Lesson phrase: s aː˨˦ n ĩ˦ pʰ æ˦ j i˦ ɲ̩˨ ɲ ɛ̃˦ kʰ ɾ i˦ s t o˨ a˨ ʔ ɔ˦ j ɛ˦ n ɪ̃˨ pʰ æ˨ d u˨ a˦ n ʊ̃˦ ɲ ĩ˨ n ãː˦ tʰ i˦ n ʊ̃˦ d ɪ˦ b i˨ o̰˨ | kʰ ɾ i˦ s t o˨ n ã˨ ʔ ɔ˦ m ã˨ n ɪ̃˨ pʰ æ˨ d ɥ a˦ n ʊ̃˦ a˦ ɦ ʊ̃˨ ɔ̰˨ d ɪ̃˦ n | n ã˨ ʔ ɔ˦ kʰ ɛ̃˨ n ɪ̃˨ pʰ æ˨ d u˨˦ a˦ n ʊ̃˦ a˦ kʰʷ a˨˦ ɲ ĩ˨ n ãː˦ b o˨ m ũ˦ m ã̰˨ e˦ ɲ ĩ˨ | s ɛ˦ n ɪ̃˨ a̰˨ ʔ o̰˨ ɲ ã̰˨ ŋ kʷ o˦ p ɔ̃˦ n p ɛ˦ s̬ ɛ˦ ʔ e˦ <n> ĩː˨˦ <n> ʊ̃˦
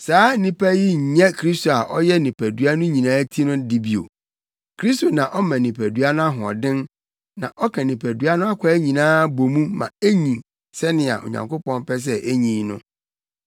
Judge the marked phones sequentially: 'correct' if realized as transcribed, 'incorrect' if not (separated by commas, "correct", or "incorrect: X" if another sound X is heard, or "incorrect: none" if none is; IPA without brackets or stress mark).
incorrect: ɲ, correct